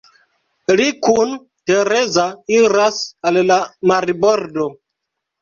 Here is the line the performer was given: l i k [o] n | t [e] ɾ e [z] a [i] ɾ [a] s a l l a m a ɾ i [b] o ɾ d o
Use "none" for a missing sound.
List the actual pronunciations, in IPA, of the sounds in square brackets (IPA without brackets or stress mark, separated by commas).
u, e, z, i, a, b